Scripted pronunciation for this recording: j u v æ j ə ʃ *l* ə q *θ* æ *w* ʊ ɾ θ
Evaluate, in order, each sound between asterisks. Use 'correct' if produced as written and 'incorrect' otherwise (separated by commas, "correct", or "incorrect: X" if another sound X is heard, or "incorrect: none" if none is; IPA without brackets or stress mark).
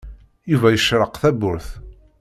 incorrect: ɾ, correct, incorrect: b